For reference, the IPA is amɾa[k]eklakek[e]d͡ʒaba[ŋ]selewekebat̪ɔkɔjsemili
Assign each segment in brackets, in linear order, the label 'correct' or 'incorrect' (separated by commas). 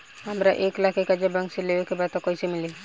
incorrect, incorrect, correct